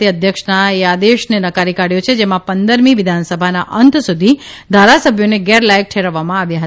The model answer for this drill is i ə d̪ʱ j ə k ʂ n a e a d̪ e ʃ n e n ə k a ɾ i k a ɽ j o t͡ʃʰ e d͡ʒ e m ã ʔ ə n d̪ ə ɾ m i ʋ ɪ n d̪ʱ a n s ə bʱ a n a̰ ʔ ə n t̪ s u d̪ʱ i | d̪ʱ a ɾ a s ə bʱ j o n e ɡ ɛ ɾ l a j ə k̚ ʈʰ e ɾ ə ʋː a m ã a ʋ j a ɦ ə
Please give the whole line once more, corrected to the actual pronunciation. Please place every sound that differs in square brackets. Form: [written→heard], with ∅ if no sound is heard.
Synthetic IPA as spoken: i ə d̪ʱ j ə k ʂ n a e a d̪ e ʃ n e n ə k a ɾ i k a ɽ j o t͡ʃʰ e d͡ʒ e m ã [ʔ→p] ə n d̪ ə ɾ m i ʋ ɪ [n→∅] d̪ʱ a n s ə bʱ a n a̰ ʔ ə n t̪ s u d̪ʱ i | d̪ʱ a ɾ a s ə bʱ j o n e ɡ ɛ ɾ l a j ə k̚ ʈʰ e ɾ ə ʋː a m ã a ʋ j a ɦ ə